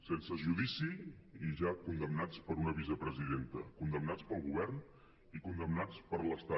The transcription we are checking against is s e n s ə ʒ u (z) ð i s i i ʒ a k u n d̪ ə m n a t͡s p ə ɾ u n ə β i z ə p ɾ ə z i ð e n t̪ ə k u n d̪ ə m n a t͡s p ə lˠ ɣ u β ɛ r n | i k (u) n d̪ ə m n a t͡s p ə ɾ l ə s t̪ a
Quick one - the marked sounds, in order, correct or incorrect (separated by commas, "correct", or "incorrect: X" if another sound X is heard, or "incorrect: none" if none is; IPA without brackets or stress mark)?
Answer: incorrect: none, correct